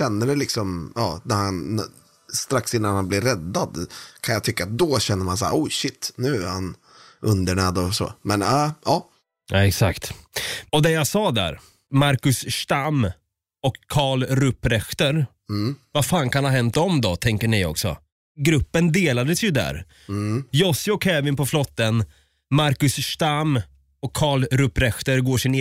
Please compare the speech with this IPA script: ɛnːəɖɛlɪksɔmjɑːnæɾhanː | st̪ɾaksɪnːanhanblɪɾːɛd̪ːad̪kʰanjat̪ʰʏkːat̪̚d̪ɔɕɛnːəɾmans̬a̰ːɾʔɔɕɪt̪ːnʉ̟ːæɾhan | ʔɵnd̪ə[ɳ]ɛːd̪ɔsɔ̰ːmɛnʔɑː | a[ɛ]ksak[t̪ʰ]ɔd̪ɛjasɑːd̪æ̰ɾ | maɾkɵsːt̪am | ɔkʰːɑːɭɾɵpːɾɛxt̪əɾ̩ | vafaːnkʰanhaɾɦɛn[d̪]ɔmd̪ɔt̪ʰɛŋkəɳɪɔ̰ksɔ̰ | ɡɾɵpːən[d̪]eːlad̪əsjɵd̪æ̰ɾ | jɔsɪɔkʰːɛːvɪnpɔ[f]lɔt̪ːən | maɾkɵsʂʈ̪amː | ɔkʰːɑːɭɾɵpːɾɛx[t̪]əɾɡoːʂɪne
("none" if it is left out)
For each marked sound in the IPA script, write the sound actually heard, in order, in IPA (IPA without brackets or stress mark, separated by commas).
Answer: ɳ, ɛ, t̪, t̪, d̪, f, t̪